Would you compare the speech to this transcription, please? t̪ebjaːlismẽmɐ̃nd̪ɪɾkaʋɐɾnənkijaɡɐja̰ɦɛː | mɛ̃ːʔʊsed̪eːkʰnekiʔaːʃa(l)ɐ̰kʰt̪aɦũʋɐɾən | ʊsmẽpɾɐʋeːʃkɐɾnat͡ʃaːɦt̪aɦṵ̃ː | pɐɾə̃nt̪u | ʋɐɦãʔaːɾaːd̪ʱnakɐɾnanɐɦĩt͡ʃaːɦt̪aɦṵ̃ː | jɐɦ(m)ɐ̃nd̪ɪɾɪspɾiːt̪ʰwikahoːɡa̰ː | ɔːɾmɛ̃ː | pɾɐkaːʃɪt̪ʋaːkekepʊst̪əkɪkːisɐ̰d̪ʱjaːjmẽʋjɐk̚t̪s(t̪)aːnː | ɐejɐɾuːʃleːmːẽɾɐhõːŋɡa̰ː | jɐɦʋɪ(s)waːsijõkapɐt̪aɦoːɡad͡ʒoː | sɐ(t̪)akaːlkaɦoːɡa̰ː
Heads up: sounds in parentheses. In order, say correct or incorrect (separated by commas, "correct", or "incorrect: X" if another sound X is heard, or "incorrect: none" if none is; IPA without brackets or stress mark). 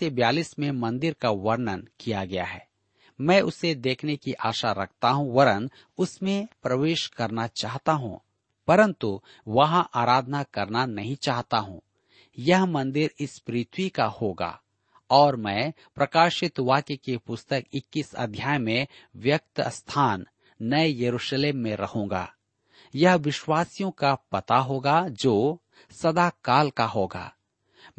incorrect: ɾ, correct, incorrect: t̪ʰ, incorrect: ʃ, incorrect: d̪